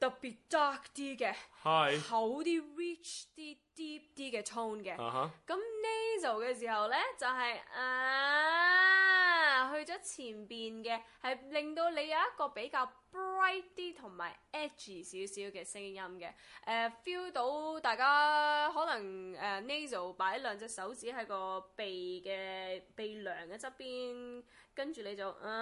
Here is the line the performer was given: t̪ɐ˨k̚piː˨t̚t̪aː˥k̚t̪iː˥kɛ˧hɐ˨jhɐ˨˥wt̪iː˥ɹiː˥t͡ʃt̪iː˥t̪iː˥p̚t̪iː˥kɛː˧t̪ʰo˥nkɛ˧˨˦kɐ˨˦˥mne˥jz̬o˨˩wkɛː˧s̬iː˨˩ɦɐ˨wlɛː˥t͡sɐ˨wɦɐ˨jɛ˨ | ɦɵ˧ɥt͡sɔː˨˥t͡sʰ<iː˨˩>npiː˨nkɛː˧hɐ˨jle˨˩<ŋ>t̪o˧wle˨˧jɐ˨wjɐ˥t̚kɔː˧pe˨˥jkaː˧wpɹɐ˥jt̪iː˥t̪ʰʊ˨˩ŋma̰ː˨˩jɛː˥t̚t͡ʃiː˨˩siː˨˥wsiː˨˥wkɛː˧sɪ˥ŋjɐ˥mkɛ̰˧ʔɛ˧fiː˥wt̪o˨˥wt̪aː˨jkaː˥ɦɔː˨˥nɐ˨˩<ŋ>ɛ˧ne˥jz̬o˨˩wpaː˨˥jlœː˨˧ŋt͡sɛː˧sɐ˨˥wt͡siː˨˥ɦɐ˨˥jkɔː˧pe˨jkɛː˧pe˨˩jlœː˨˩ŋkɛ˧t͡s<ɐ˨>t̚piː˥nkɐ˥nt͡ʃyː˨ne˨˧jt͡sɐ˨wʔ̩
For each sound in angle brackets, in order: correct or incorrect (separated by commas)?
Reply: correct, correct, correct, incorrect